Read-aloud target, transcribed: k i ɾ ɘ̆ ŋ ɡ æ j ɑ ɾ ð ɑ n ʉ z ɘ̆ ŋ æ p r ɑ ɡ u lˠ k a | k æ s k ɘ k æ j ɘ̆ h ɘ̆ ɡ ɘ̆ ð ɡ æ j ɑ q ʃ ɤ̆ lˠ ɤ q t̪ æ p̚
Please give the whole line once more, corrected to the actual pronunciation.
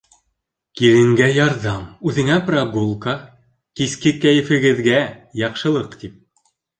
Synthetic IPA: k i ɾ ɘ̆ ŋ ɡ æ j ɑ ɾ ð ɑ m ʉ ð ɘ̆ ŋ æ p r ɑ ɡ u lˠ k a | k i s k ɘ k æ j ɘ̆ f ɘ̆ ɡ ɘ̆ ð ɡ æ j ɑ q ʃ ɤ̆ lˠ ɤ q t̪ i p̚

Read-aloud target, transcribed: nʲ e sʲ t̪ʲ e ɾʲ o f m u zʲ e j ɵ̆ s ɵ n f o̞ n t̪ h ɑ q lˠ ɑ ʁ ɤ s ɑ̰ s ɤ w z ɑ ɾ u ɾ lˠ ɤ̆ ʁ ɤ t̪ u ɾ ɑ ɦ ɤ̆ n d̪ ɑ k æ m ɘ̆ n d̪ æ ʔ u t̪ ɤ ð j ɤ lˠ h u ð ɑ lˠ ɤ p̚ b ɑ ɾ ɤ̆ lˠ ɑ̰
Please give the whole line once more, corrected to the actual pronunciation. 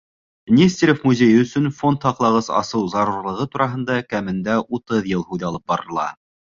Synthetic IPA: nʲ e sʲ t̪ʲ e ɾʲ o f m u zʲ e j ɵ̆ s ɵ n f o̞ n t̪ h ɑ q lˠ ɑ ʁ ɤ s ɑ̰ s ɤ w z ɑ ɾ u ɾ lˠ ɤ̆ ʁ ɤ t̪ u ɾ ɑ ɦ ɤ̆ n d̪ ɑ k æ m ɘ̆ n d̪ æ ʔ u t̪ ɤ ð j ɤ lˠ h u ð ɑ lˠ ɤ p̚ b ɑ ɾ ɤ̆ lˠ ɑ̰

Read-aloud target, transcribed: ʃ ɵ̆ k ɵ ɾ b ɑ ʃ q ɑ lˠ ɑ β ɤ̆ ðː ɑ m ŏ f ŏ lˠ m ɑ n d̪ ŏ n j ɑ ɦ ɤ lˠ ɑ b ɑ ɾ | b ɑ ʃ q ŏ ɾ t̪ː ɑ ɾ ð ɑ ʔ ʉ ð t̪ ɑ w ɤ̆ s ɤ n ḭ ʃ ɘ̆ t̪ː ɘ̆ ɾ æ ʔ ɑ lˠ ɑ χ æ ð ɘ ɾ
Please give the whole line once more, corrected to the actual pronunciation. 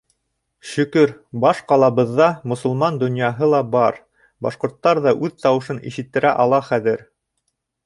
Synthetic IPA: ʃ ɵ̆ k ɵ ɾ b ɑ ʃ q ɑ lˠ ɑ β ɤ̆ ðː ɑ m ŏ s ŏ lˠ m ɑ n d̪ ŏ n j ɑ ɦ ɤ lˠ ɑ b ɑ ɾ | b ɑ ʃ q ŏ ɾ t̪ː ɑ ɾ ð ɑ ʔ ʉ ð t̪ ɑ w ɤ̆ ʃ ɤ n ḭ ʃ ɘ̆ t̪ː ɘ̆ ɾ æ ʔ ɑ lˠ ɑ χ æ ð ɘ ɾ

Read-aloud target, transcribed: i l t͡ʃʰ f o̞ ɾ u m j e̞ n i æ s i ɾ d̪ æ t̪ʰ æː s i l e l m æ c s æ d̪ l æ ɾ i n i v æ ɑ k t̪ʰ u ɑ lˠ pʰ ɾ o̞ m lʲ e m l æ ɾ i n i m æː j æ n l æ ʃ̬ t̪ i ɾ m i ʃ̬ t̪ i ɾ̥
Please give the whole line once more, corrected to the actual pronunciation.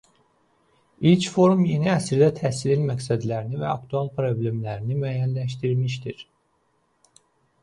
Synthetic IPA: i l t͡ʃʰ f o̞ ɾ u m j e̞ n i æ s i ɾ d̪ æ t̪ʰ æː s i l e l m æ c s æ d̪ l æ ɾ i n i v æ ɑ k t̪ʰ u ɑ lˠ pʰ ɾ o̞ b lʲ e m l æ ɾ i n i m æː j æ n l æ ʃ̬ t̪ i ɾ m i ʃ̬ t̪ i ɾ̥

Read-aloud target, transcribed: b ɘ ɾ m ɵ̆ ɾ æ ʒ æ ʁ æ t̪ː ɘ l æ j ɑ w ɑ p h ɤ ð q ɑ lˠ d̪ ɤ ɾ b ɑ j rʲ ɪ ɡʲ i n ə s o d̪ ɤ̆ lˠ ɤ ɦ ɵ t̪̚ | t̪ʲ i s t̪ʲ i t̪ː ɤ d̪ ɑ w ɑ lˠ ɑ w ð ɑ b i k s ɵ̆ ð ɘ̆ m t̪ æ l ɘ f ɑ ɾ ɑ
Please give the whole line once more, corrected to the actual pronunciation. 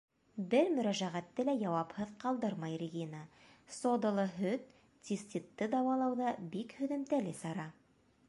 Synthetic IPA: b ɘ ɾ m ɵ̆ ɾ æ ʒ æ ʁ æ t̪ː ɘ l æ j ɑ w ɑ p h ɤ ð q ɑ lˠ d̪ ɤ ɾ m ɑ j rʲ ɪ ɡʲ i n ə s o d̪ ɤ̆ lˠ ɤ ɦ ɵ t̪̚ | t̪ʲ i s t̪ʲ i t̪ː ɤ d̪ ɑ w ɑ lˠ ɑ w ð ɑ b i k h ɵ̆ ð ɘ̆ m t̪ æ l ɘ s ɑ ɾ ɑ

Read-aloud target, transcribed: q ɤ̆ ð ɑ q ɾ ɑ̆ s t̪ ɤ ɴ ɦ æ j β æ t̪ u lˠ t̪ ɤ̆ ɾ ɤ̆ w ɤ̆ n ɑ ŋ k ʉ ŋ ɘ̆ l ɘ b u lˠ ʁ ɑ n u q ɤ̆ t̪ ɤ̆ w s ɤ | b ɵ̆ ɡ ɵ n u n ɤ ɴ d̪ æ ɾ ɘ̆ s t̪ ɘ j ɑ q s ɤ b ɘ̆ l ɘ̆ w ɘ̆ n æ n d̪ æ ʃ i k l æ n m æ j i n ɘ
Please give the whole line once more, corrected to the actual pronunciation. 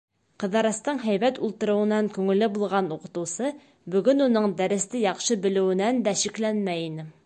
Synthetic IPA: q ɤ̆ ð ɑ ɾ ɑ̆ s t̪ ɤ ɴ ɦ æ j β æ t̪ u lˠ t̪ ɤ̆ ɾ ɤ̆ w ɤ̆ n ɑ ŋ k ʉ ŋ ɘ̆ l ɘ b u lˠ ʁ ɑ n u q ɤ̆ t̪ ɤ̆ w s ɤ | b ɵ̆ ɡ ɵ n u n ɤ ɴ d̪ æ ɾ ɘ̆ s t̪ ɘ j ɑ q ʃ ɤ b ɘ̆ l ɘ̆ w ɘ̆ n æ n d̪ æ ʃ i k l æ n m æ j i n ɘ

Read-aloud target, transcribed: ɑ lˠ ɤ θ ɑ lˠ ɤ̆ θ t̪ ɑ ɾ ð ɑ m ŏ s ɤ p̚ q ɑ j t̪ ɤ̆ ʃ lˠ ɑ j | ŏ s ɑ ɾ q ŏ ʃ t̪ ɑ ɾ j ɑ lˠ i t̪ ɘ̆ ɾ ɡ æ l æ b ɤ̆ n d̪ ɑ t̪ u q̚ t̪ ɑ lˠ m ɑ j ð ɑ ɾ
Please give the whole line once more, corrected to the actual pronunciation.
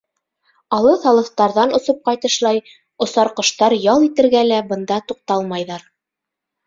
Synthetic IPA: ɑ lˠ ɤ θ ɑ lˠ ɤ̆ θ t̪ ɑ ɾ ð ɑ n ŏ s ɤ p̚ q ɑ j t̪ ɤ̆ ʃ lˠ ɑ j | ŏ s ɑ ɾ q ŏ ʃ t̪ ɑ ɾ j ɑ lˠ i t̪ ɘ̆ ɾ ɡ æ l æ b ɤ̆ n d̪ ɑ t̪ u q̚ t̪ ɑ lˠ m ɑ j ð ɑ ɾ

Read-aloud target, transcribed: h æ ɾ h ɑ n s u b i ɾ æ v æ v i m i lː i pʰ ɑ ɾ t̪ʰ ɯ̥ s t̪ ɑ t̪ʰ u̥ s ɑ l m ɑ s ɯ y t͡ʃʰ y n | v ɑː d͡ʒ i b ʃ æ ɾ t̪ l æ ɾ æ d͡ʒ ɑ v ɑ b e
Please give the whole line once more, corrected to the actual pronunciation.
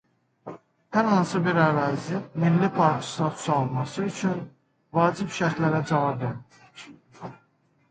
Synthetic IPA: h æ ɾ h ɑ n s ɯ b i ɾ æ v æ z i m i lː i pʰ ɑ ɾ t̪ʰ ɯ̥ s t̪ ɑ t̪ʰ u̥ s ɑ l m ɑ s ɯ y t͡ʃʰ y n | v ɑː d͡ʒ i b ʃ æ ɾ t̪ l æ ɾ æ d͡ʒ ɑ v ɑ b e

